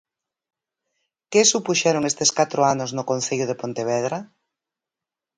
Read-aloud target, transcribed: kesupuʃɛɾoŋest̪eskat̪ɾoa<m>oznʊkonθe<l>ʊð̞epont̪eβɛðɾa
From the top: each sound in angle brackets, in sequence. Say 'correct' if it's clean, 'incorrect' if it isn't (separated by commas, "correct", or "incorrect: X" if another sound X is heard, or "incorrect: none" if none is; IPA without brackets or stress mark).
incorrect: n, incorrect: ʎ